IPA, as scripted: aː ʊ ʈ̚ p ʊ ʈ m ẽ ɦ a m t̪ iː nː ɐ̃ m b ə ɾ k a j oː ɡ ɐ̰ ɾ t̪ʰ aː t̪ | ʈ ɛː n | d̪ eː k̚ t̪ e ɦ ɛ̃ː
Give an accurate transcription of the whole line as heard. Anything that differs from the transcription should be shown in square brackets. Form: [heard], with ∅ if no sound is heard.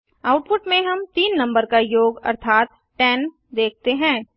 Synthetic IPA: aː ʊ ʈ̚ p ʊ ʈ m ẽ ɦ [ɐ] m t̪ iː nː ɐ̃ m b ə ɾ k a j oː ɡ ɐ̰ ɾ t̪ʰ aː t̪ | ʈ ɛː n | d̪ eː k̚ t̪ e ɦ ɛ̃ː

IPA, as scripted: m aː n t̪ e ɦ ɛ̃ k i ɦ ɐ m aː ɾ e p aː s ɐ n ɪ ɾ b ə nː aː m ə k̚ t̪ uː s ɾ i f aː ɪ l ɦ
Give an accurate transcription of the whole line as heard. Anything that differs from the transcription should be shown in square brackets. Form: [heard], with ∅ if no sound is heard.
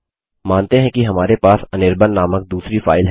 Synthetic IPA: m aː n t̪ e ɦ ɛ̃ k i ɦ ɐ m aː ɾ e p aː s ɐ n ɪ ɾ b ə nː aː m ə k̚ [d̪] uː s ɾ i f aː ɪ l ɦ

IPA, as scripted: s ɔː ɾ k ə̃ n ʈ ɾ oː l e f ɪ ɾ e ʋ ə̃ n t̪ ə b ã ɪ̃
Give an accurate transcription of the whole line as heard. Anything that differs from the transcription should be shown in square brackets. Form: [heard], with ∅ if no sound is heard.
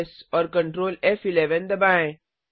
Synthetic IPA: s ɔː ɾ k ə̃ [ɳ] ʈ ɾ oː l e f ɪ [l] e ʋ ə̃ n [d̪] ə b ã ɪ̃

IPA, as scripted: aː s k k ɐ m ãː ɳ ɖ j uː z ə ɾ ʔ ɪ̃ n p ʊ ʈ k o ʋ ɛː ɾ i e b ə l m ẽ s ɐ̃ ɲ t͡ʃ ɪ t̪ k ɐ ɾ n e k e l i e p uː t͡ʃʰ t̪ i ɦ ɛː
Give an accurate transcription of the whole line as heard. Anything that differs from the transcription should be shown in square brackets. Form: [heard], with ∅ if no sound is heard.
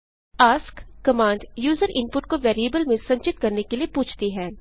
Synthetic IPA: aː s k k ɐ m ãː ɳ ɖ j uː z ə ɾ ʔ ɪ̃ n p ʊ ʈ k o ʋ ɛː ɾ i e b ə l m ẽ s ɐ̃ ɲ t͡ʃ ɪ t̪ k ɐ ɾ n e k e l i e p uː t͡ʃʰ t̪ i ɦ ɛː

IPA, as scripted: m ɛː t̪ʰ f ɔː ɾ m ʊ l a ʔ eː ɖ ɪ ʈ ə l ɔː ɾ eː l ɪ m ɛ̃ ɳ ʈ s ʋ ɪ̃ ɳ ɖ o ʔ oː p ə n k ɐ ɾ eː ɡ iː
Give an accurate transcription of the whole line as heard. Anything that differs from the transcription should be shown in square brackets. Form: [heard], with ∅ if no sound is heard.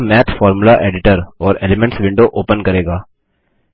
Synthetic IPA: m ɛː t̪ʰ f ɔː ɾ m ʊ l a ʔ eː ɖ ɪ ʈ ə [ɾ] ɔː ɾ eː l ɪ m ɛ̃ ɳ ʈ s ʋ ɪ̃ ɳ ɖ o ʔ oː p ə n k ɐ ɾ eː ɡ [aː]

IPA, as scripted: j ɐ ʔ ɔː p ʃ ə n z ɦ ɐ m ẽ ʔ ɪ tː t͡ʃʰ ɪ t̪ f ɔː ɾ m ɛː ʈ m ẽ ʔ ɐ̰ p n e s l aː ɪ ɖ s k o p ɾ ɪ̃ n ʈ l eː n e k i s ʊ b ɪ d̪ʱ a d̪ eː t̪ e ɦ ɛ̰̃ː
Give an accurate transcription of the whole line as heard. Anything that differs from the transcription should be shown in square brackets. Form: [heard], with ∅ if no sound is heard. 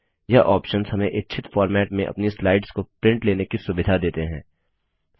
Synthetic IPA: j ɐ ʔ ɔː p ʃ ə n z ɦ ɐ m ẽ ʔ ɪ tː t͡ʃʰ ɪ t̪ f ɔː ɾ m ɛː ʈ m ẽ ʔ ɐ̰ p n [i] s l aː ɪ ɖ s k o p ɾ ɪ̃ [ɳ] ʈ l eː n e k i s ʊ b ɪ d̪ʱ a d̪ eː t̪ e ɦ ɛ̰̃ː

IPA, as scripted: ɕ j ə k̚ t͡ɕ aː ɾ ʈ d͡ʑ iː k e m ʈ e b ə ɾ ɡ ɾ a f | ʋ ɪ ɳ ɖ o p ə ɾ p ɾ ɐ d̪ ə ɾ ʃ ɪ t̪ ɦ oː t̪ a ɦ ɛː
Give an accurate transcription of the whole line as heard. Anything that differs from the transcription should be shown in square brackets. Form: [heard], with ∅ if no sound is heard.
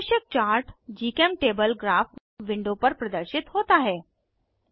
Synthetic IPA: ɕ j ə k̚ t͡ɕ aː ɾ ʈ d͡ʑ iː k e m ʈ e b ə [l] ɡ ɾ a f | ʋ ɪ ɳ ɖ o p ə ɾ p ɾ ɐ d̪ ə ɾ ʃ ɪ t̪ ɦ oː t̪ a ɦ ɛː

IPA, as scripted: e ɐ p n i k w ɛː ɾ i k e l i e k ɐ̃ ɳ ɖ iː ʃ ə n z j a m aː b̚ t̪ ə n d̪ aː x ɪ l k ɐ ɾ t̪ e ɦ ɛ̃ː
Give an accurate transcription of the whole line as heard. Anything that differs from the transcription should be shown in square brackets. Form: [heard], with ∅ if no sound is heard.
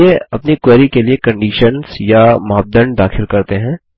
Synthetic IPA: e ɐ p n i k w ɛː ɾ i k e l i e k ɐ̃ ɳ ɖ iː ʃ ə n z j a m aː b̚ [d̪] ə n d̪ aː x ɪ l k ɐ ɾ t̪ e ɦ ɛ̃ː

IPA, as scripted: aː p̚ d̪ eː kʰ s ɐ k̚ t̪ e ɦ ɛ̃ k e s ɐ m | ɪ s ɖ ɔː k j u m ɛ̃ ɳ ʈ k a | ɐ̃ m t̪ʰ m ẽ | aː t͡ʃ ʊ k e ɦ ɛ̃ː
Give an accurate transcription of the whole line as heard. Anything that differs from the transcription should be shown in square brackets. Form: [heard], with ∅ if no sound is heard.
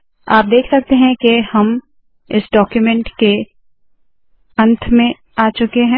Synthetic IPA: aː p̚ d̪ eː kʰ s ɐ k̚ t̪ e ɦ ɛ̃ k e [h] ɐ m | ɪ s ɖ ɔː k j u m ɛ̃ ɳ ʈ k [e] | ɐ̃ [n] t̪ʰ m ẽ | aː t͡ʃ ʊ k e ɦ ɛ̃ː

